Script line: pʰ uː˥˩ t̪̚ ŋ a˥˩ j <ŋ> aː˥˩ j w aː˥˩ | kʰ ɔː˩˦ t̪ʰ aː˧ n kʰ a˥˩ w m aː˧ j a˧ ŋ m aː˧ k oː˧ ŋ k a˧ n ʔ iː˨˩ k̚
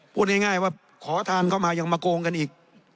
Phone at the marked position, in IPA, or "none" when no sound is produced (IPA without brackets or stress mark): ŋ